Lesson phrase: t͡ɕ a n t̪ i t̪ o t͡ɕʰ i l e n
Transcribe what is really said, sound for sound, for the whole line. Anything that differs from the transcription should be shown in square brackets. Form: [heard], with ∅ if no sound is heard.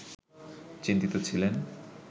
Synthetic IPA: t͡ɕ [i] n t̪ i t̪ o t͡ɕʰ i l e n

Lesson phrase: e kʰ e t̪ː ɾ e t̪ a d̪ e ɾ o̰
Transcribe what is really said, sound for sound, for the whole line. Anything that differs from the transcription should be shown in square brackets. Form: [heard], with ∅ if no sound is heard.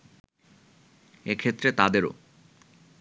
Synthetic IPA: e kʰ e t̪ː ɾ e t̪ a d̪ e ɾ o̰

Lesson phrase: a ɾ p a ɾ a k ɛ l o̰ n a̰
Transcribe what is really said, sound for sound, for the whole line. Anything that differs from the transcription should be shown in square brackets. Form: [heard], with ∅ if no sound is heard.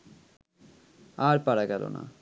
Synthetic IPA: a ɾ p a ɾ a [ɡ] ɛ l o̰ n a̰

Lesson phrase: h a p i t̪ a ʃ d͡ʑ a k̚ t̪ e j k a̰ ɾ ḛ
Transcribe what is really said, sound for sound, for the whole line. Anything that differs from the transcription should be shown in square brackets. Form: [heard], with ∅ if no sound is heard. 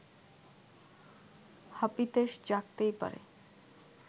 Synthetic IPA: h a p i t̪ [e] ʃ d͡ʑ a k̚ t̪ e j [p] a̰ ɾ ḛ

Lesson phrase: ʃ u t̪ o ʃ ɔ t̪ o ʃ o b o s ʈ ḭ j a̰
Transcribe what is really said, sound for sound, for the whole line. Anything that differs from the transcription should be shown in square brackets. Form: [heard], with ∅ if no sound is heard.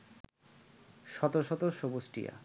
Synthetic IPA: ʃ [ɔ] t̪ o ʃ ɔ t̪ o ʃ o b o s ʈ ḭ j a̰

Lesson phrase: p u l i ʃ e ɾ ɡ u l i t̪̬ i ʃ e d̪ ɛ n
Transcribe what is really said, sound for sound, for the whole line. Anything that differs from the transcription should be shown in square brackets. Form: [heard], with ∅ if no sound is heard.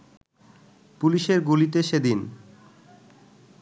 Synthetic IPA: p u l i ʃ e ɾ ɡ u l i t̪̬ [e] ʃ e d̪ [i] n

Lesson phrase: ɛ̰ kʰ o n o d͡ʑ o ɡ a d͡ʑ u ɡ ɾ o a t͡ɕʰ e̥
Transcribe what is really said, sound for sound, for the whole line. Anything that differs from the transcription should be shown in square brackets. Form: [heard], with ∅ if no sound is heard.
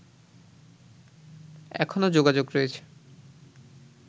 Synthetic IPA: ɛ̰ kʰ o n o d͡ʑ o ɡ a d͡ʑ [o] ɡ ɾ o [e] t͡ɕʰ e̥

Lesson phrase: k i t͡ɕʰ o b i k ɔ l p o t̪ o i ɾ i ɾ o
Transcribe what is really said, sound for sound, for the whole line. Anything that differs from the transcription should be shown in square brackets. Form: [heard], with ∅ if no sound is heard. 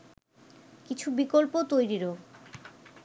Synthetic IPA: k i t͡ɕʰ [u] b i k [o] l p o t̪ o [j] ɾ i ɾ o

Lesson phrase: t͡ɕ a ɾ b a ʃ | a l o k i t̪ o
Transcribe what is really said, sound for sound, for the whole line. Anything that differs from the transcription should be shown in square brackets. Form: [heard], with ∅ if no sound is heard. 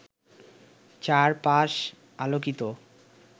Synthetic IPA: t͡ɕ a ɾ [p] a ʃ | a l o k i t̪ o

